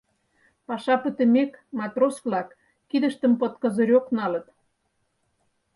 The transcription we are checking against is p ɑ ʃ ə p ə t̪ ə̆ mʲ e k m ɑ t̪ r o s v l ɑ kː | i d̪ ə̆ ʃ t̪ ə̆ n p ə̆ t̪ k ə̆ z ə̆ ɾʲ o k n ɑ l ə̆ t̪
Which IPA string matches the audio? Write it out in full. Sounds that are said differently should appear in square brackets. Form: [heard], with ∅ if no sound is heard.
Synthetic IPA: p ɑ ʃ [ɑ] p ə t̪ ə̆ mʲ e k m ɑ t̪ r o s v l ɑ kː | i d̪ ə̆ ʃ t̪ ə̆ [m] p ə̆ t̪ k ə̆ z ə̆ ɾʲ o k n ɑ l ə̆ t̪